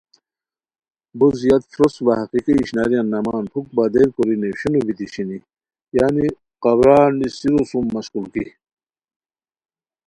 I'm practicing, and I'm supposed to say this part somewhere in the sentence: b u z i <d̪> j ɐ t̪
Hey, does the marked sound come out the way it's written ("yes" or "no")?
no